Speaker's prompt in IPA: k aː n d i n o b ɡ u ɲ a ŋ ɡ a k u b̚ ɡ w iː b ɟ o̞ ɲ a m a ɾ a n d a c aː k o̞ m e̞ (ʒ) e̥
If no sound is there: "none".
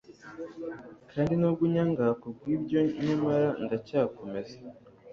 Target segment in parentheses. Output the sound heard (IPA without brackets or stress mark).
z